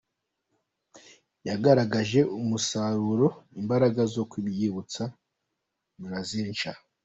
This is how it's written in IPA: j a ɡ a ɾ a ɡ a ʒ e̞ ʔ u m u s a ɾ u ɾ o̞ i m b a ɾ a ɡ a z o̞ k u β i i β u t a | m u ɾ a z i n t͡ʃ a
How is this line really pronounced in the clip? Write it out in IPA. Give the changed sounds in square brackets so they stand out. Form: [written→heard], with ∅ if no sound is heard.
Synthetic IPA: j a ɡ a ɾ a ɡ a ʒ e̞ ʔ u m u s a ɾ u ɾ o̞ i m b a ɾ a ɡ a z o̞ k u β [i→j] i β u [t→t͡s] a | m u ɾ a z i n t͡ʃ a